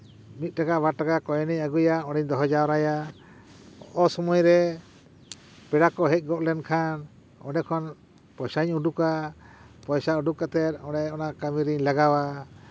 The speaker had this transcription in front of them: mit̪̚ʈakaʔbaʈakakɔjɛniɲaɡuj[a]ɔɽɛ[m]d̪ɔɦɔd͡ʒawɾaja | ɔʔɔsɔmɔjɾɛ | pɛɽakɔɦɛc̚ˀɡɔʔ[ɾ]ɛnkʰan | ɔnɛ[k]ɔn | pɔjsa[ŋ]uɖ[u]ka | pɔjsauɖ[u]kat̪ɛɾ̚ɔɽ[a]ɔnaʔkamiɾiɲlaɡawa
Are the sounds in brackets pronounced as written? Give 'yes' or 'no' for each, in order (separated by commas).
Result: yes, no, no, no, no, yes, yes, no